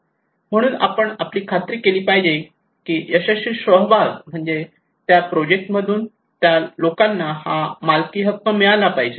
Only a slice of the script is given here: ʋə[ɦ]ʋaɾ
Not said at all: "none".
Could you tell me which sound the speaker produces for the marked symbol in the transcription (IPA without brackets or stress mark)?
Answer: ɦ